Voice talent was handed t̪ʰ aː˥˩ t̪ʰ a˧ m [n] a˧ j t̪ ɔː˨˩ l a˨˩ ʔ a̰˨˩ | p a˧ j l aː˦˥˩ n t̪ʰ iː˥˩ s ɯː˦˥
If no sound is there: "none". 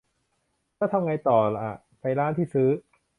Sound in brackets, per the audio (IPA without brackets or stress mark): ŋ